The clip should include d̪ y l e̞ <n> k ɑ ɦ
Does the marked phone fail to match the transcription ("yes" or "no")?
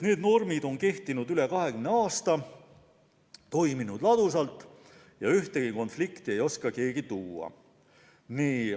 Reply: yes